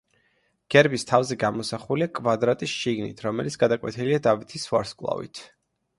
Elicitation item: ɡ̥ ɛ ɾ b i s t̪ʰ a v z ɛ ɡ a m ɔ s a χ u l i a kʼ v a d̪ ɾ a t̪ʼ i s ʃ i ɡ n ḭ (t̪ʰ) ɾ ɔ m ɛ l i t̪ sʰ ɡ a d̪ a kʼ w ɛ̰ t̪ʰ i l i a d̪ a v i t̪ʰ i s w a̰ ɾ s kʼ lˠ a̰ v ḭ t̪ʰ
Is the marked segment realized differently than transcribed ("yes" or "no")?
no